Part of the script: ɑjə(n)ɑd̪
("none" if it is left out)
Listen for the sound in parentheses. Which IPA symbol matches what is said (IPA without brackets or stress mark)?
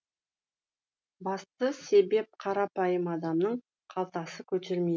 m